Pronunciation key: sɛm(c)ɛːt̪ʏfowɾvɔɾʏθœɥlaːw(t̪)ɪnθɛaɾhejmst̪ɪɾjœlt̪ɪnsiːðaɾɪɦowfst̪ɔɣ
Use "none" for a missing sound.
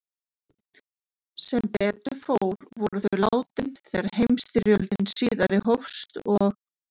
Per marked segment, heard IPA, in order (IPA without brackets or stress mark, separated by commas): p, t̪